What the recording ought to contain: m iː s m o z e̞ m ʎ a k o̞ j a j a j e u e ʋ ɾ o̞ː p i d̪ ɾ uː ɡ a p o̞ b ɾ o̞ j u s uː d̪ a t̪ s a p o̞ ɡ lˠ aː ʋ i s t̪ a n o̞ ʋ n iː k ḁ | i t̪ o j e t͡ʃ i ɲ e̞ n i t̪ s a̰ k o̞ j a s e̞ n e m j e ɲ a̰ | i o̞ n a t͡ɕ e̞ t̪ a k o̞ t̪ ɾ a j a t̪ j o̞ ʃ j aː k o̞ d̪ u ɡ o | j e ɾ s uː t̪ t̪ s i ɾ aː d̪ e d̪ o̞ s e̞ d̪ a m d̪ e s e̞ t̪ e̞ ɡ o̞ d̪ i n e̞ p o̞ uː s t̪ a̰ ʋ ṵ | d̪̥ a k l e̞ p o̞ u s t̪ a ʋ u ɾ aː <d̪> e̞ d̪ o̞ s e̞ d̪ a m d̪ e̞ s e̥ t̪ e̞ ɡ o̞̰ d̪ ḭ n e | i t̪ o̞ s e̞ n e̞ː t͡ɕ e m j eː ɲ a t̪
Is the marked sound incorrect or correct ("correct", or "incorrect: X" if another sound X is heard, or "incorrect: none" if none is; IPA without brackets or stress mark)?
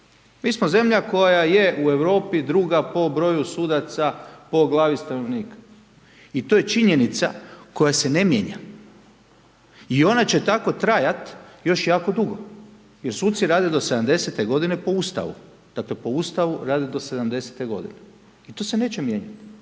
correct